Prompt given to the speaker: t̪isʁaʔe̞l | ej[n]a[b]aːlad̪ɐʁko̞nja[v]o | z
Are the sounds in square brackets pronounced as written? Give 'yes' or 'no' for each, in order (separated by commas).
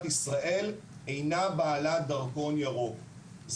yes, yes, no